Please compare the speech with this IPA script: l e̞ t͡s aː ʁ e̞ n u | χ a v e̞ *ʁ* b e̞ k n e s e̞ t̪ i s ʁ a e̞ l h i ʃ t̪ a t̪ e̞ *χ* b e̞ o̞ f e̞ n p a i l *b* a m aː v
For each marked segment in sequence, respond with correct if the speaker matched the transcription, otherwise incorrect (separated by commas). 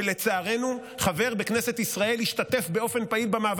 correct, incorrect, correct